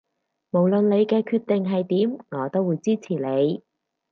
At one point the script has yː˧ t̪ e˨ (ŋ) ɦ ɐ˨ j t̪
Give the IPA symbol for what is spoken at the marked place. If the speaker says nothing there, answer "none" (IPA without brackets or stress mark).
ŋ